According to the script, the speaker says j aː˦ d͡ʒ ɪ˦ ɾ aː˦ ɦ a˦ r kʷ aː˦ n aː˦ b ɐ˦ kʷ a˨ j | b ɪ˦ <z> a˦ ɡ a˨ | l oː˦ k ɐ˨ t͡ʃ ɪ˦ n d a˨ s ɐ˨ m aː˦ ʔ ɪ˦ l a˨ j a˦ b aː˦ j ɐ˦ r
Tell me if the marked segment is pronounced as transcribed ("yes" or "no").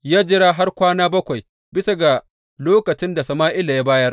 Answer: no